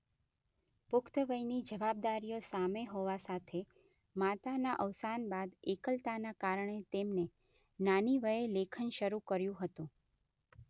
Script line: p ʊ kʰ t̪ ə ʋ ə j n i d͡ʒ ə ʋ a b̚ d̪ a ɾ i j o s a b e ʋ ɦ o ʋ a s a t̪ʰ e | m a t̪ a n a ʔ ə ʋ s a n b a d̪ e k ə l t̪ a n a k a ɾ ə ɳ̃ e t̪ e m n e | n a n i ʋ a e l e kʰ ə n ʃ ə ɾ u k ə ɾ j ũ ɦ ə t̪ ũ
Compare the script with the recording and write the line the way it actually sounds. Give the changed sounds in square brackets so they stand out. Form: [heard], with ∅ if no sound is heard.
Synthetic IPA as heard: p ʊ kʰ t̪ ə ʋ ə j n i d͡ʒ ə ʋ a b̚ d̪ a ɾ i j o s a [m] e [∅] ɦ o ʋ a s a t̪ʰ e | m a t̪ a n a ʔ ə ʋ s a n b a d̪ e k ə l t̪ a n a k a ɾ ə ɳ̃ e t̪ e m n e | n a n i ʋ [ə] e l e kʰ ə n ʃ ə ɾ u k ə ɾ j ũ ɦ ə t̪ ũ